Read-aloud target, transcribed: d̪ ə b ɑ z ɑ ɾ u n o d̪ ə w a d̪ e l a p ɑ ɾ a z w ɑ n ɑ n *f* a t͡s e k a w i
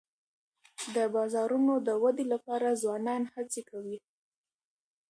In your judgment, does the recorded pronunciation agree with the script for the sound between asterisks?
no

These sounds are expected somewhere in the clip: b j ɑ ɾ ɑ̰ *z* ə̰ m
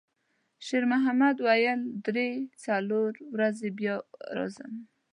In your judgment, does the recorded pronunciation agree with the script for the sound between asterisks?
yes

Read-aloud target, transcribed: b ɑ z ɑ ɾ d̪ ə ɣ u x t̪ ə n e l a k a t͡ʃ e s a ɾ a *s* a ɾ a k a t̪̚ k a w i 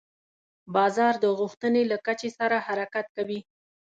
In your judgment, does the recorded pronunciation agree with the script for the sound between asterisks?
no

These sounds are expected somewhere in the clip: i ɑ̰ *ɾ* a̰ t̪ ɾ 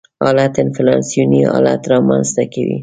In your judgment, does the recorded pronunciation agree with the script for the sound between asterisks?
no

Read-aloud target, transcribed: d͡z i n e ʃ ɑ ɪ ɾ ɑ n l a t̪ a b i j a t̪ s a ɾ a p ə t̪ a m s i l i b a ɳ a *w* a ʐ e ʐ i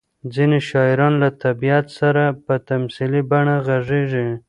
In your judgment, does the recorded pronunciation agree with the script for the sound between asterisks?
no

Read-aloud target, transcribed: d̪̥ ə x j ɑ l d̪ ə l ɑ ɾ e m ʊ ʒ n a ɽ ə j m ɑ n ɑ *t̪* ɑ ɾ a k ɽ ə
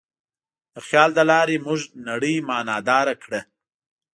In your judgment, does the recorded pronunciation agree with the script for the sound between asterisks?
no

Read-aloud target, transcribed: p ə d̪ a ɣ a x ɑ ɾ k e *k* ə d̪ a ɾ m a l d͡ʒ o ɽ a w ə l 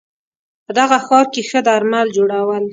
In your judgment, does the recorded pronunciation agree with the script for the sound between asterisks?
no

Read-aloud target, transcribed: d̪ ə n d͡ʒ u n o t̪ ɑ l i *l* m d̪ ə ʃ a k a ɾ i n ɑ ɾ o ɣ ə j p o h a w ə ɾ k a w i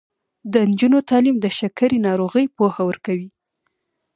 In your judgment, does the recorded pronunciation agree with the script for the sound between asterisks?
no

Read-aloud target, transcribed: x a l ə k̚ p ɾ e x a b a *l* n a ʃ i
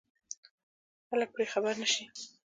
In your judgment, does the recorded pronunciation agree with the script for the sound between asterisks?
no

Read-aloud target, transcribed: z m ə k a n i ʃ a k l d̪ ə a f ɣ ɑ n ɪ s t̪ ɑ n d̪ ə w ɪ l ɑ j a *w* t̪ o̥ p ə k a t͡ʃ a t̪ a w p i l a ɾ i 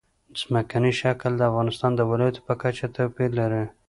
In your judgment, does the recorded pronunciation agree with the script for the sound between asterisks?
no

